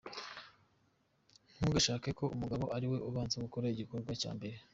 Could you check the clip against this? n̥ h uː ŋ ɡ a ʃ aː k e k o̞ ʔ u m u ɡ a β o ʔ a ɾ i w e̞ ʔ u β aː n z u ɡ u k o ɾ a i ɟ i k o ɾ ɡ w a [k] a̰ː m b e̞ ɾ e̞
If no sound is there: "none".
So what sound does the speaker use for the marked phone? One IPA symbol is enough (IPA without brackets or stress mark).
c